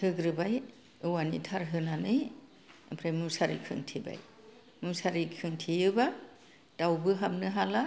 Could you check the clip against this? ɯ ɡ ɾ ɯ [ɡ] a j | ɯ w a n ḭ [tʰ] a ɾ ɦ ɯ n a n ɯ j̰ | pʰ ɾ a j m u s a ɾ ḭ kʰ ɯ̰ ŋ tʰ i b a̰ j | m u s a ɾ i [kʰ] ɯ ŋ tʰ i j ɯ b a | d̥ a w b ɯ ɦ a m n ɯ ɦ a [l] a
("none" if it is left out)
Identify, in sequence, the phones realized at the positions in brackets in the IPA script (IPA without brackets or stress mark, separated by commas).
b, tʰ, kʰ, l